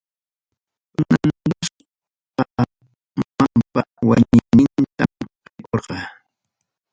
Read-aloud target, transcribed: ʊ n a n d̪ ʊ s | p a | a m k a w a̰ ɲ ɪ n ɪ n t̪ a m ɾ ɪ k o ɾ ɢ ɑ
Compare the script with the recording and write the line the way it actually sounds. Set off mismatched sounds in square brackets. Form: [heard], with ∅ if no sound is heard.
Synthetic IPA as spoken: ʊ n a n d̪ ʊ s | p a | a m [p] a w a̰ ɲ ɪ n ɪ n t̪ a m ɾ ɪ k o ɾ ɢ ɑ